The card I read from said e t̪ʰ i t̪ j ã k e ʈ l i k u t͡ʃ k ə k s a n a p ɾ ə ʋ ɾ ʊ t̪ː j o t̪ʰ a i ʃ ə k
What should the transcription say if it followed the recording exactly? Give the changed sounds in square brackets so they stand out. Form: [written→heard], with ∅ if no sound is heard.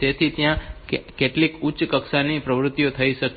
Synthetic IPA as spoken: e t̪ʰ i t̪ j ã k e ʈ l i k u t͡ʃ k ə k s a n [a→i] p ɾ ə ʋ ɾ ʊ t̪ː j o t̪ʰ [a→ə] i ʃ ə k